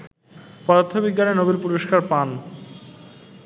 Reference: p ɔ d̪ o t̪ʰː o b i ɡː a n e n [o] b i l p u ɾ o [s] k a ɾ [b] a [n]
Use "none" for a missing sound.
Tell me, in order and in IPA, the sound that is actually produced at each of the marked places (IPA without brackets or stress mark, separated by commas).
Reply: o, ʃ, p, n